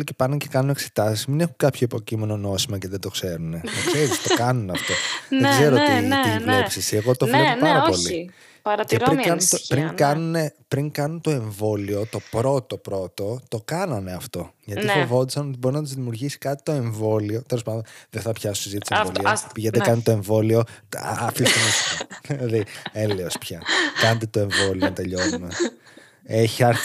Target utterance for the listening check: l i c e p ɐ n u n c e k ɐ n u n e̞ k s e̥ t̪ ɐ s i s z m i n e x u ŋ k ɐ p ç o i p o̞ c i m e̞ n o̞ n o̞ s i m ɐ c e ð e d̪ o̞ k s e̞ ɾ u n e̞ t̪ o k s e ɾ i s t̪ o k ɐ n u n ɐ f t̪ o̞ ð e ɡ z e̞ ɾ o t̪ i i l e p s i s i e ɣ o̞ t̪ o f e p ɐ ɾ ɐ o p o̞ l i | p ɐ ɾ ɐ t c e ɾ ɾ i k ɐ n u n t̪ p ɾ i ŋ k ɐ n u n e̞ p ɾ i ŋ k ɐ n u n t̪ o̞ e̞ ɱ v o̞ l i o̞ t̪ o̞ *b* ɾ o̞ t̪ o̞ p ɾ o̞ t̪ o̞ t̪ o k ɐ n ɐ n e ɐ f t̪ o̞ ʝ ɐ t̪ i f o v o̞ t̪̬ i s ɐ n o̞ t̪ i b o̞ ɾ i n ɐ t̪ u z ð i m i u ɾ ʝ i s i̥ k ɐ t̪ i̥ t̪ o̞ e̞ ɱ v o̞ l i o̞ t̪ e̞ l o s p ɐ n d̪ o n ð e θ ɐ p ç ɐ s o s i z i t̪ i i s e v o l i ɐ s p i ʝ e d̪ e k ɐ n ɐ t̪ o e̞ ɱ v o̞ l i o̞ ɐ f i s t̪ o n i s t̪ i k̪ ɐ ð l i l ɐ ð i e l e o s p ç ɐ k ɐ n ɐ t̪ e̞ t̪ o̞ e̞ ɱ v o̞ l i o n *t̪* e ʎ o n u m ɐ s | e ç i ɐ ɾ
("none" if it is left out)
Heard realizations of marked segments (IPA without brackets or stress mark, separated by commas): p, t̪